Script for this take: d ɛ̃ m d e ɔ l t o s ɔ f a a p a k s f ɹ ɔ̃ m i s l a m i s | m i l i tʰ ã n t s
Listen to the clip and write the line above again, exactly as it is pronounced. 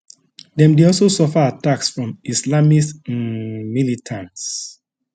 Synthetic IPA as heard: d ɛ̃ m d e ɔ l s o s ɔ f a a t a k s f ɹ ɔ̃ m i s l a m i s | m i l i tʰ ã n t s

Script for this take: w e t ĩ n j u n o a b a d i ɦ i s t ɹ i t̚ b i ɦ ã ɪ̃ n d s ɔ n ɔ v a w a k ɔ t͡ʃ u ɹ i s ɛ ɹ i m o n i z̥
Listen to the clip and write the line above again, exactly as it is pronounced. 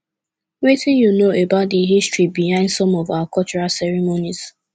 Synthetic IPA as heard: w e t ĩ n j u n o e b a d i ɦ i s t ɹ i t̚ b i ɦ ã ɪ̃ n d s ɔ m ɔ v a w a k ɔ t͡ʃ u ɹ a s ɛ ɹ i m o n i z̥

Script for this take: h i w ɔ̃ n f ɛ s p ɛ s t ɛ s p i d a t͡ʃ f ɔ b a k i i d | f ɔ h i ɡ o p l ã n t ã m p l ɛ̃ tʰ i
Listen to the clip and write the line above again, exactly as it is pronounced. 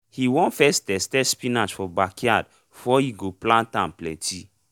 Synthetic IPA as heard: h i w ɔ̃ n f ɛ s t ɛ s t ɛ s p i n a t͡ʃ f ɔ b a k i a d | f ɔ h i ɡ o p l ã n t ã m p l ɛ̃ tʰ i

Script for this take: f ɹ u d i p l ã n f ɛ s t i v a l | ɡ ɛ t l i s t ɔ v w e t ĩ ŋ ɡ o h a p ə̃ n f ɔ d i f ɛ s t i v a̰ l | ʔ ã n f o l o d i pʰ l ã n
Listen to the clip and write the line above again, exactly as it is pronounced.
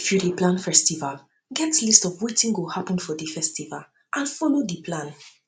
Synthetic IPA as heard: f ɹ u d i p l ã n f ɛ s t i v a l | ɡ ɛ t l i s t ɔ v w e t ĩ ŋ ɡ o h a p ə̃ n f ɔ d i f ɛ s t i v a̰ l | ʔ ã n f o l o d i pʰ l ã n

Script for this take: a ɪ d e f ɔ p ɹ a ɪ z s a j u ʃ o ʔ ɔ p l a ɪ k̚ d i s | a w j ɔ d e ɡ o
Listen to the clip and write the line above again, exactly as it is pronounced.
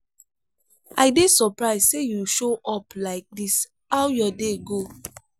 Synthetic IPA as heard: a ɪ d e s ɔ p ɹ a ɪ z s e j u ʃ o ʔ ɔ p l a ɪ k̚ d i s | a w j ɔ d e ɡ o

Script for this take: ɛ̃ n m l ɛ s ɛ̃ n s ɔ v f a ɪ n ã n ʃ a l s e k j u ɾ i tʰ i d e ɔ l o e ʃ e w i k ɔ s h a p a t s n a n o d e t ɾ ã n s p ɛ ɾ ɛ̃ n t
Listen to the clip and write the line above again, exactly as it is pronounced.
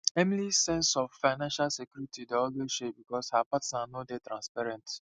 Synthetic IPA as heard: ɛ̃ m l i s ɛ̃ n s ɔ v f a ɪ n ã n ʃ a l s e k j u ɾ i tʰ i d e ɔ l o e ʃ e b i k ɔ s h a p a t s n a n o d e t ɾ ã n s p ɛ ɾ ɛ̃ n t

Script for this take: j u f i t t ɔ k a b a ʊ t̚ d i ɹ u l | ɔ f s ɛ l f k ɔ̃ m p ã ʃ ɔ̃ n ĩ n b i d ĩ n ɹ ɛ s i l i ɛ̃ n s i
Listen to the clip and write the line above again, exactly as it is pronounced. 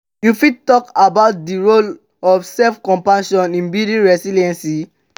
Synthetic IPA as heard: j u f i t t ɔ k a b a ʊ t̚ d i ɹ o l | ɔ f s ɛ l f k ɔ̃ m p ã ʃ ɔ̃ n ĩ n b i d ĩ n ɹ ɛ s i l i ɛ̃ n s i

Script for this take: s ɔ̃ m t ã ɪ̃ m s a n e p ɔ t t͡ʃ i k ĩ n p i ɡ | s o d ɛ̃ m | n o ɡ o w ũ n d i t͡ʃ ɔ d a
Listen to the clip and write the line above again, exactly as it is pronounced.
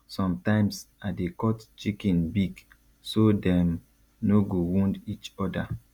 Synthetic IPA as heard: s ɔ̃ m t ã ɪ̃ m s a d e k ɔ t t͡ʃ i k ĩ n b i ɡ | s o d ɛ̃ m | n o ɡ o w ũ n d i t͡ʃ ɔ d a

